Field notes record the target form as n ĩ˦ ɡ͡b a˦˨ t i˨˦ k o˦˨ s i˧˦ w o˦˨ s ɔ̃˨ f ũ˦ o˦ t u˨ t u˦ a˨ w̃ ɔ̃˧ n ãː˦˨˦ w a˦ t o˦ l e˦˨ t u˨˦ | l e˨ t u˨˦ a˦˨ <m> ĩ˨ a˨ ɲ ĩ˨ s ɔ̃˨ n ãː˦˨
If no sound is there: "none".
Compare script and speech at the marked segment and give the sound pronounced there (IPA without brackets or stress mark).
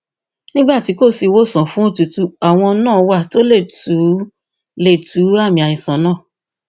m